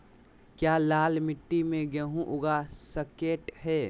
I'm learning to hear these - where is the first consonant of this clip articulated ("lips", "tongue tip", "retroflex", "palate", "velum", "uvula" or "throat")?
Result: velum